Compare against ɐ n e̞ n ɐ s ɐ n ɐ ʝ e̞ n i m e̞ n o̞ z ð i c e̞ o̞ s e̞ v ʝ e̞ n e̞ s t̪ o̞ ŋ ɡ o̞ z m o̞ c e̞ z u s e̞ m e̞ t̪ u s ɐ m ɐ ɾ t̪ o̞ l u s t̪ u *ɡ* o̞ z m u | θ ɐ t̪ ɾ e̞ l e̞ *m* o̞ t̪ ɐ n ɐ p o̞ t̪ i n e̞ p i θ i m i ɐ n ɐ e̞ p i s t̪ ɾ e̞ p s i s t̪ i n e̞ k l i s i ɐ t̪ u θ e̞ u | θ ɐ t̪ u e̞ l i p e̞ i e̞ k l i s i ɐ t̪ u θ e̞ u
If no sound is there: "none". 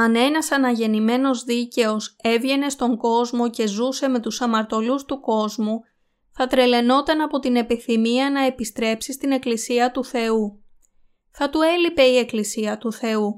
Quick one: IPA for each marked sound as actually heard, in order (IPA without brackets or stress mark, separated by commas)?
k, n